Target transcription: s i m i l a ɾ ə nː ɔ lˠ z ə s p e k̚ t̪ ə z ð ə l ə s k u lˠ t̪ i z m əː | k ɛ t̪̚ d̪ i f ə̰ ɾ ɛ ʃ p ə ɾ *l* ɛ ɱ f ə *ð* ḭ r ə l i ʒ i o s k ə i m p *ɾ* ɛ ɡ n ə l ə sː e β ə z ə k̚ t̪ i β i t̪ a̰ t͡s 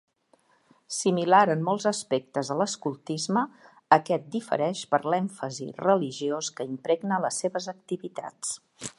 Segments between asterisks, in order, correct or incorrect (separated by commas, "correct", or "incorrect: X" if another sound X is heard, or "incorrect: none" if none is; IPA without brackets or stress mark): correct, incorrect: z, correct